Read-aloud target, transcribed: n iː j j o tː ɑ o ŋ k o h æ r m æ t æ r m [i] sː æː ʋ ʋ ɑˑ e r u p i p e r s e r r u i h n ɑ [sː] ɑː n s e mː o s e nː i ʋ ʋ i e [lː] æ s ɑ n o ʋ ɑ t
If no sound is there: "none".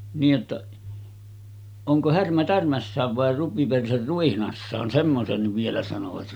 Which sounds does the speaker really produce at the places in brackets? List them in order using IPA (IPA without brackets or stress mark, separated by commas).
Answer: æ, sː, l